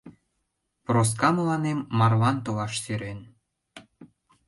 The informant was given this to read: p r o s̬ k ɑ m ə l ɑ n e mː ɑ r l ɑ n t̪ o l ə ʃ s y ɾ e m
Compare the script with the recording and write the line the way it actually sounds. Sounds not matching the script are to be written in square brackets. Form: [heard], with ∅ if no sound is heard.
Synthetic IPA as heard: p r o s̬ k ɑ m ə l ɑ n e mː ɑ r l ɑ n t̪ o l [ɑ] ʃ s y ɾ e [n]